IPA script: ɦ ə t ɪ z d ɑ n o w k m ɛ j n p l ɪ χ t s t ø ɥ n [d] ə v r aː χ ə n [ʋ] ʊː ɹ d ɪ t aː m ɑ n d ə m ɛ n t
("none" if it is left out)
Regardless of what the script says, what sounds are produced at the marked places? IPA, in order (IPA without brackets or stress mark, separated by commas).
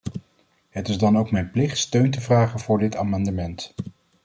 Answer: t, v